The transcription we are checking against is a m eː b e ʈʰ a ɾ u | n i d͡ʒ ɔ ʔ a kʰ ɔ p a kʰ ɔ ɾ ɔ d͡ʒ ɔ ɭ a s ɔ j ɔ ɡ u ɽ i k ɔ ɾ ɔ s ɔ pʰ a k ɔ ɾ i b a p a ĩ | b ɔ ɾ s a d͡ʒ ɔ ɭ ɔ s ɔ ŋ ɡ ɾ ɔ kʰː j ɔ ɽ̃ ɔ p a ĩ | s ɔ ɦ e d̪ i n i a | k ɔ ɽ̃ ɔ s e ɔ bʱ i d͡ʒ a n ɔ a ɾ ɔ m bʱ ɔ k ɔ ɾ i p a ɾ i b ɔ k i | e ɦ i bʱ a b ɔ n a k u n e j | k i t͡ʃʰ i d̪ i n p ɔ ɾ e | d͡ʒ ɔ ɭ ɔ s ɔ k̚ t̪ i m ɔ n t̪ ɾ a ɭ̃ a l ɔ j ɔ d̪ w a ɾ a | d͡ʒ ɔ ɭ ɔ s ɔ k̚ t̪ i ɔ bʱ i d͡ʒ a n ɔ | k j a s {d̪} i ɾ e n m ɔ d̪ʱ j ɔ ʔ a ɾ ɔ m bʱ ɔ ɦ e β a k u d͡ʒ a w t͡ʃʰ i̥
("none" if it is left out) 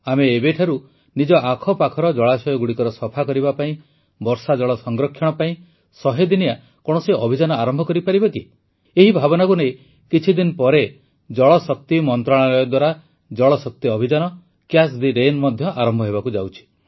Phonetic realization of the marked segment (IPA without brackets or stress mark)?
d̪